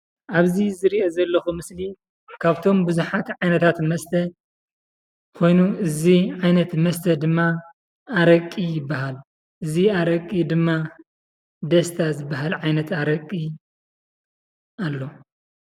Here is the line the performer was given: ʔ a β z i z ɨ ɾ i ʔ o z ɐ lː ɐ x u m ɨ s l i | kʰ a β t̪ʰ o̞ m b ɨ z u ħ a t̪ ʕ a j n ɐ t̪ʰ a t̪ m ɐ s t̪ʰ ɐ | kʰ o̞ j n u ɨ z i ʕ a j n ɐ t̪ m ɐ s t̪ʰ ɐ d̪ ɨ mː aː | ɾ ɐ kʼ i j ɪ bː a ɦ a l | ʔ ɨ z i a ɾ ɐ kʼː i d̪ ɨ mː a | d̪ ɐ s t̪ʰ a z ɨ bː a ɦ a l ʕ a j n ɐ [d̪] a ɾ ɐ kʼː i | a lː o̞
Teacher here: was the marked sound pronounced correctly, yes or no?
no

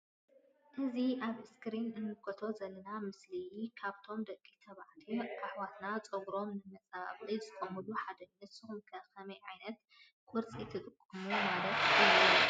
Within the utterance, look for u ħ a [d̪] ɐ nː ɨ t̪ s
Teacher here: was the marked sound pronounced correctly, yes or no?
yes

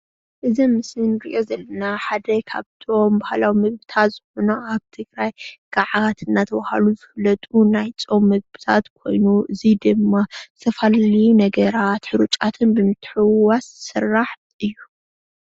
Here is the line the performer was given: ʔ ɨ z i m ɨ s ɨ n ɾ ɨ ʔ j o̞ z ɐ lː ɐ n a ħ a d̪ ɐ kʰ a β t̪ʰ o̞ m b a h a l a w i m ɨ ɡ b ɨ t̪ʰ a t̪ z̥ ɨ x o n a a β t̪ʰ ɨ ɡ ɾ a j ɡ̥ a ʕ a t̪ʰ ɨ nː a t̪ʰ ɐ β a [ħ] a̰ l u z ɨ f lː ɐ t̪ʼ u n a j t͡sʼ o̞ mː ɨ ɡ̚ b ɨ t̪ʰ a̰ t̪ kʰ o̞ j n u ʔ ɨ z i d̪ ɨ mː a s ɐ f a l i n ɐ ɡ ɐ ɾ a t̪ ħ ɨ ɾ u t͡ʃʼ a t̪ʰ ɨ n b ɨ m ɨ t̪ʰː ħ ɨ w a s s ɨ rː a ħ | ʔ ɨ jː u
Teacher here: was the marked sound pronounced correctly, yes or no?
no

